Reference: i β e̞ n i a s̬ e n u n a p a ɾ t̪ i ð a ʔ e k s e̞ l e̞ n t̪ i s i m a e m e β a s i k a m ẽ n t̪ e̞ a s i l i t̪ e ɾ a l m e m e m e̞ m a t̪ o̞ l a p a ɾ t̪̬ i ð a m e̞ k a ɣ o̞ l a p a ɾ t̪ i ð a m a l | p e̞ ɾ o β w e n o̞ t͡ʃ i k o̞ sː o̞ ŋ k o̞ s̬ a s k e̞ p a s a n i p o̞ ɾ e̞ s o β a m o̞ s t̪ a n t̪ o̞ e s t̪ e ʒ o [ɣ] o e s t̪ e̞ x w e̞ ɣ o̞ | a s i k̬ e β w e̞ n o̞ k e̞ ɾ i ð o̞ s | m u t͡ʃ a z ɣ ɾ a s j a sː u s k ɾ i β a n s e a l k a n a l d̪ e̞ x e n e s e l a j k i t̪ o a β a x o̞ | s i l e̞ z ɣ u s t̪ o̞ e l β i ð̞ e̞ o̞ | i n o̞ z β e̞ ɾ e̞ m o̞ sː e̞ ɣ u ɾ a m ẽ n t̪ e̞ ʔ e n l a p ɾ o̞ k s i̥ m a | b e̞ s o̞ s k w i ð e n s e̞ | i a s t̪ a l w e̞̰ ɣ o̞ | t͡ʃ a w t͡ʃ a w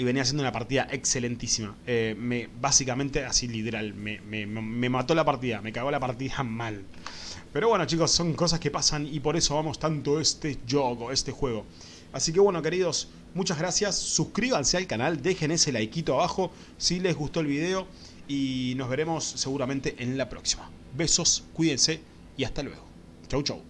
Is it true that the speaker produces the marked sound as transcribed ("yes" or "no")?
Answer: yes